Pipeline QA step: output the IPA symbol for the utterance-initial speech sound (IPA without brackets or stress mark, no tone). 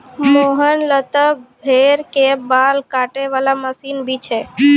m